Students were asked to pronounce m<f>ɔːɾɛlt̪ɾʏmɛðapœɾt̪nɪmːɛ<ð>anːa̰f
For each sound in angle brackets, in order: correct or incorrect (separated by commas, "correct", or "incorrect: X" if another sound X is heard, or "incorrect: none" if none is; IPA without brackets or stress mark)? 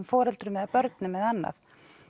correct, correct